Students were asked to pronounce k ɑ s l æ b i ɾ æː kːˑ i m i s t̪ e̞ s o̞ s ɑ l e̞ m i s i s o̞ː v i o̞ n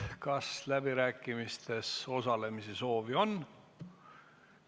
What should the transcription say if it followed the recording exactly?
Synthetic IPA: k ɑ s l æ b i ɾ æː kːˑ i m i s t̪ e̞ s o̞ s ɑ l e̞ m i s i s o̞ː v i o̞ n